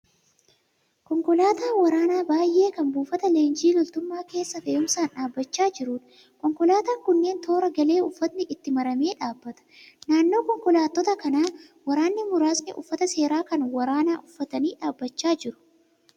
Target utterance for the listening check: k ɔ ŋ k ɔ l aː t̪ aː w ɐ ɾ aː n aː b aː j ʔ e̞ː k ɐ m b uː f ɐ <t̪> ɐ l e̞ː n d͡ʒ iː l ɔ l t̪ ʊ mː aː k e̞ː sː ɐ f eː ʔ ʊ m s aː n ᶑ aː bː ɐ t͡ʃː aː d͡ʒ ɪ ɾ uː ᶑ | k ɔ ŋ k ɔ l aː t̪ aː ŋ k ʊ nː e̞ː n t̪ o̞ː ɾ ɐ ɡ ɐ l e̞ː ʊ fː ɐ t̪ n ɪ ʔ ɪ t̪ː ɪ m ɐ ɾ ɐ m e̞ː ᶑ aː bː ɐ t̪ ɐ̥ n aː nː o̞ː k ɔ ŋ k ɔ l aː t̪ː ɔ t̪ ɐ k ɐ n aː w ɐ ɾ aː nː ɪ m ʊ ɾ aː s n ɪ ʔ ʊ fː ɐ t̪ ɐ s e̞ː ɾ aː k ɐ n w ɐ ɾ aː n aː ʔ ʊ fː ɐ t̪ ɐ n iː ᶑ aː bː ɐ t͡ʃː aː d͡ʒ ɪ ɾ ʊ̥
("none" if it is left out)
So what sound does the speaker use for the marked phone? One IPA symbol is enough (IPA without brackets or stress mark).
t̪